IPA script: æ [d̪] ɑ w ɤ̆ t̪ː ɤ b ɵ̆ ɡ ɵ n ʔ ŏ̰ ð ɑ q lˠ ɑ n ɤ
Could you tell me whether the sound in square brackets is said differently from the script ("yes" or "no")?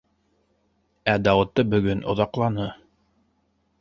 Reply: no